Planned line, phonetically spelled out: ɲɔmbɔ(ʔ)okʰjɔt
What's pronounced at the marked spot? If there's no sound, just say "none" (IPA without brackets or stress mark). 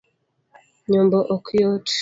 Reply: ʔ